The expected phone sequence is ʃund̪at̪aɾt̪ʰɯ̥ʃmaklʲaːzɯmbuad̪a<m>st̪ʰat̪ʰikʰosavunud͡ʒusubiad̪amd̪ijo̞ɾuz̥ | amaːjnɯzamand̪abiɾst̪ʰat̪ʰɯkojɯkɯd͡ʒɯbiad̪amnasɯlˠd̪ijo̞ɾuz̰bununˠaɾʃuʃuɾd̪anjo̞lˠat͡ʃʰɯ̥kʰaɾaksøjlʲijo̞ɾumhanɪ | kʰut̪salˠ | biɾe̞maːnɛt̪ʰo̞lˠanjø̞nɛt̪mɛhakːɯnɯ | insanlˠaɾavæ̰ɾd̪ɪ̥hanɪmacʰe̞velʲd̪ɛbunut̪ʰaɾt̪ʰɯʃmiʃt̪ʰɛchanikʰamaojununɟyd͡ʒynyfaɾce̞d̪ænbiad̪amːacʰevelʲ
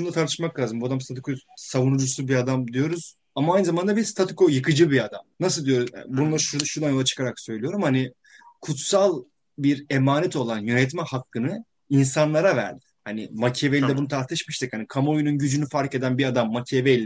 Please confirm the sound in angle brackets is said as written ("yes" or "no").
yes